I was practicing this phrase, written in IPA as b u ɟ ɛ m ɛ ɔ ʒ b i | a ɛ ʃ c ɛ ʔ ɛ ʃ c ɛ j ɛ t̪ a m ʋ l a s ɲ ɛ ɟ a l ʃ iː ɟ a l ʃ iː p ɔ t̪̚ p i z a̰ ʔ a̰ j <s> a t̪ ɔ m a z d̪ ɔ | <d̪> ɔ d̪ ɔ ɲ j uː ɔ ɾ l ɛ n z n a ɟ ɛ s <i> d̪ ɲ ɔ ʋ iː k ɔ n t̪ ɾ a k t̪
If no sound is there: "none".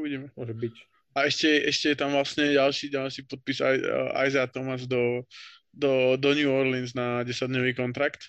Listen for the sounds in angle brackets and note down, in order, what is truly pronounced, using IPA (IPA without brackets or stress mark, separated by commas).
z, d̪, a